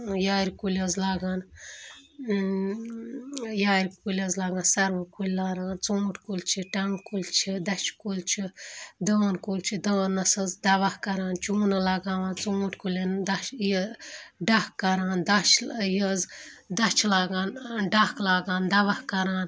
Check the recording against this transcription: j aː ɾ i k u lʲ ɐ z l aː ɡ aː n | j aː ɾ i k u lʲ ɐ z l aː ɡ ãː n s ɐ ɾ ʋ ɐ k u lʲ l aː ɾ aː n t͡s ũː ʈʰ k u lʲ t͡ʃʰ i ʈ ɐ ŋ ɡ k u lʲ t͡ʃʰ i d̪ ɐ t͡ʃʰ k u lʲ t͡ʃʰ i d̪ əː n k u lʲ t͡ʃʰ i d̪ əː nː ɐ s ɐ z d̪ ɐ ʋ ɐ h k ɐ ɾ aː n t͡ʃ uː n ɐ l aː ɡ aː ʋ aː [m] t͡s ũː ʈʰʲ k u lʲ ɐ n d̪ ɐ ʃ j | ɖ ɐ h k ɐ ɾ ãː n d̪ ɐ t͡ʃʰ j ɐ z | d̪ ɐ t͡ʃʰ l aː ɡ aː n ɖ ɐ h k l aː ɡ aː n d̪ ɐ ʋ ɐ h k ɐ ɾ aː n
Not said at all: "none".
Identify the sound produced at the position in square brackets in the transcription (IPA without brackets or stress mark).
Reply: n